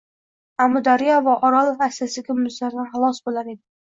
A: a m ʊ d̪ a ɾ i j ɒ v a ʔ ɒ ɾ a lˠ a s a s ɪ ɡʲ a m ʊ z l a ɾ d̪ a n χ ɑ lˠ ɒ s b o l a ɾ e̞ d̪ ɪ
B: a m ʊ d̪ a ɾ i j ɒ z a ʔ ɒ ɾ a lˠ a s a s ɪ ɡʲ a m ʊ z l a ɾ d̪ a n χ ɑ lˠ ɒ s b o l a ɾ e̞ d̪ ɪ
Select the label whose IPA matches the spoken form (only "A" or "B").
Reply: A